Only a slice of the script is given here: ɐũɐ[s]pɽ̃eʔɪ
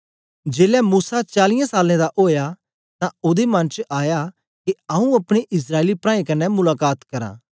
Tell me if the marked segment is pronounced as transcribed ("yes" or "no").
no